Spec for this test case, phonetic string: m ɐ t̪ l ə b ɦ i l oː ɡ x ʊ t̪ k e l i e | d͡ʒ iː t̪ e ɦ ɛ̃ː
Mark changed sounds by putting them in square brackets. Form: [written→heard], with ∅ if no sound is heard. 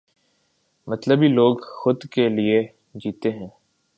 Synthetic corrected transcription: m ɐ t̪ l ə b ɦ i l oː ɡ x ʊ [t̪→d̪] k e l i e | d͡ʒ iː t̪ e ɦ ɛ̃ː